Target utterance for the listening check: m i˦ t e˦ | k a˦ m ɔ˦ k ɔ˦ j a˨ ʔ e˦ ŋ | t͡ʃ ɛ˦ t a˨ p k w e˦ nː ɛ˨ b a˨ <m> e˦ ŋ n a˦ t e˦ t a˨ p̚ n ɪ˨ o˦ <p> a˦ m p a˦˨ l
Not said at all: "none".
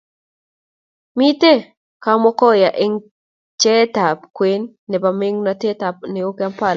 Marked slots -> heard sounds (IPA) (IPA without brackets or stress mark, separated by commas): m, k